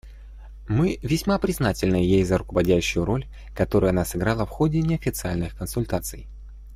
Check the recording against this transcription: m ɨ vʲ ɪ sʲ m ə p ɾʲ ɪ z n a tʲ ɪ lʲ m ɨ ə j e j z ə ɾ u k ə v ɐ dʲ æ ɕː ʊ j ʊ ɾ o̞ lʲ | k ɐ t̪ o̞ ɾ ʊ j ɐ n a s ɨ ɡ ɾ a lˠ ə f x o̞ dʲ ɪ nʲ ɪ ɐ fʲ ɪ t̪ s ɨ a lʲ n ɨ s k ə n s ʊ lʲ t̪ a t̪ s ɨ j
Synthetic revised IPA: m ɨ vʲ ɪ sʲ m a p ɾʲ ɪ z n a tʲ ɪ lʲ n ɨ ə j e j z ə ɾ ʊ k ə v ɐ dʲ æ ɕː ʊ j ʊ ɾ o̞ lʲ | k ɐ t̪ o̞ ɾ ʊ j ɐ n a s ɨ ɡ ɾ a lˠ ə f x o̞ dʲ ɪ nʲ ɪ ɐ fʲ ɪ t̪ s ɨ a lʲ n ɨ x k ə n s ʊ lʲ t̪ a t̪ s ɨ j